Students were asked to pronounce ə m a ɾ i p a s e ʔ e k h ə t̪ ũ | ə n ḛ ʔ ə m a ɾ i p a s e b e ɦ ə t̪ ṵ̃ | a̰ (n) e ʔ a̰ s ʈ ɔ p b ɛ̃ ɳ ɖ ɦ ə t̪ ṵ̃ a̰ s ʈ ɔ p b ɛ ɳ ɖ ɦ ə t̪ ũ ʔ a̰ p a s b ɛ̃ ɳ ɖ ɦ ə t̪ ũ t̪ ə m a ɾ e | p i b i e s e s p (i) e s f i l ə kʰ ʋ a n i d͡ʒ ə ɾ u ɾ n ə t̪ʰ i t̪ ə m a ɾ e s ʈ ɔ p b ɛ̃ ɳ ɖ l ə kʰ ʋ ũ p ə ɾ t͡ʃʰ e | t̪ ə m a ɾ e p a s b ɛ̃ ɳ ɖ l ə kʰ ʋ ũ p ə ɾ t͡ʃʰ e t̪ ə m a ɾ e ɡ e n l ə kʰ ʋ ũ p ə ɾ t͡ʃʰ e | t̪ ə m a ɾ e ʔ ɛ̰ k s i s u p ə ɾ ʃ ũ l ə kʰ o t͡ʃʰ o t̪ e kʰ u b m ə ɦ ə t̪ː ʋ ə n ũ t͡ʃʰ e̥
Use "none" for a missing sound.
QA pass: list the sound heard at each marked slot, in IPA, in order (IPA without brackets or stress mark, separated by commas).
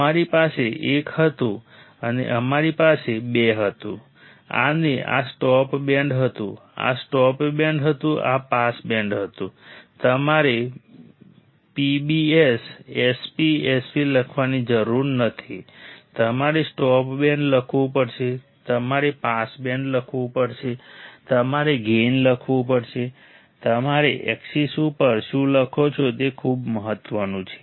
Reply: n, i